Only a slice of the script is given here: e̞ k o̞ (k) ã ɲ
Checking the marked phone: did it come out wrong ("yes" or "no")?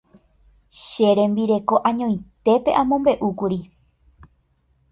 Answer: yes